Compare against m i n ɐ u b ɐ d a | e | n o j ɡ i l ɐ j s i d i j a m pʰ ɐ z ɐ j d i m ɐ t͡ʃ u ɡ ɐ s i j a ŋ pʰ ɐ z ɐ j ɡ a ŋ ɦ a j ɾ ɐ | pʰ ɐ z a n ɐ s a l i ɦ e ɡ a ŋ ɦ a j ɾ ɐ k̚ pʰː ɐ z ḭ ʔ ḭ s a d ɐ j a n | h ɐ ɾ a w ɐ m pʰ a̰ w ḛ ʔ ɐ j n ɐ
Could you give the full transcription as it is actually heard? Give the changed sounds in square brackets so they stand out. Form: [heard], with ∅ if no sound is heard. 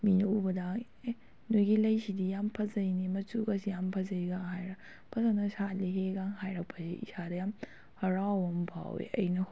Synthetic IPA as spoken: m i n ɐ u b ɐ d a | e | n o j ɡ i l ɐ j s i d i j a m pʰ ɐ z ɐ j [n] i m ɐ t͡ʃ u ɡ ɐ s i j a [m] pʰ ɐ z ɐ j ɡ a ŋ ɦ a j ɾ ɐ | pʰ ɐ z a n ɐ s a l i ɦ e ɡ a ŋ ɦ a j ɾ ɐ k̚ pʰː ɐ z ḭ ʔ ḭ s a d ɐ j a [m] | h ɐ ɾ a w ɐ m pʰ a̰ w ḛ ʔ ɐ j n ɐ